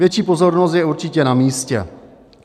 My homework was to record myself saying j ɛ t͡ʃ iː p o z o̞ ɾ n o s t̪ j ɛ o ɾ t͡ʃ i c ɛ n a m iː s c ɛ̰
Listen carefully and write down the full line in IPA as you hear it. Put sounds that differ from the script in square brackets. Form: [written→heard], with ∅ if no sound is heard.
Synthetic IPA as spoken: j ɛ t͡ʃ iː p o z o̞ ɾ n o s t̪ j ɛ [o→u] ɾ t͡ʃ [i→ɪ] c ɛ n a m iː s c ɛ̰